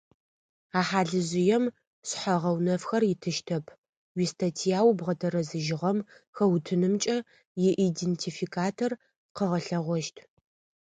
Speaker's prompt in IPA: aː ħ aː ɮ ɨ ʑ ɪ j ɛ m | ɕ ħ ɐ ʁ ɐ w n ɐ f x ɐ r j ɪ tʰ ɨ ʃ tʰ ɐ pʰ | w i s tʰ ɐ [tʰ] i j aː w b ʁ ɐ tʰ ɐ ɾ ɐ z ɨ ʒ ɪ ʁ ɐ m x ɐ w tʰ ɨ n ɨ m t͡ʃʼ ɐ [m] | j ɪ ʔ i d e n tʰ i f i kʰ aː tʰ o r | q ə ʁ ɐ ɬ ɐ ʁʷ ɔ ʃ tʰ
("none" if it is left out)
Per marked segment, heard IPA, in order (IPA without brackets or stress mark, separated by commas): tʰ, none